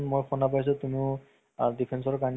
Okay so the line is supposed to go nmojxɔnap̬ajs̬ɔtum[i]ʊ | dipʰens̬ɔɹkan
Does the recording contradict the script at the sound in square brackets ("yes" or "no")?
no